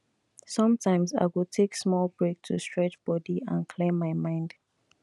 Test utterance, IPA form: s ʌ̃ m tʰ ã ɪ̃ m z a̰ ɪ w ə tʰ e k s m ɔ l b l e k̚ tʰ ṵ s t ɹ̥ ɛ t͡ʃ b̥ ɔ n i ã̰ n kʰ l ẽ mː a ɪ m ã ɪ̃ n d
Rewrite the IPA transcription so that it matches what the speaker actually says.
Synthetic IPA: s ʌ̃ m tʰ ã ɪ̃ m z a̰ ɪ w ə tʰ e k s m ɔ l b ɹ e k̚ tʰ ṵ s t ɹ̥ ɛ t͡ʃ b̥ ɔ d i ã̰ n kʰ l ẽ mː a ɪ m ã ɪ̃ n d